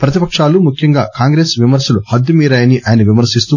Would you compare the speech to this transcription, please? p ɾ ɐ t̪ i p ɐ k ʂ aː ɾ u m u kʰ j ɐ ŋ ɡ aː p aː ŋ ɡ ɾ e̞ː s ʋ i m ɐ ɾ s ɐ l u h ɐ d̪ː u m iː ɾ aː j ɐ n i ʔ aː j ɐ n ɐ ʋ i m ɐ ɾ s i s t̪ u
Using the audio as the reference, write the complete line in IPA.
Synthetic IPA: p ɾ ɐ t̪ i p ɐ k ʂ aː l u m u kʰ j ɐ ŋ ɡ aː k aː ŋ ɡ ɾ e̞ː s ʋ i m ɐ ɾ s ɐ l u h ɐ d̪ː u m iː ɾ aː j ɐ n i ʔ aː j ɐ n ɐ ʋ i m ɐ ɾ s i s t̪ u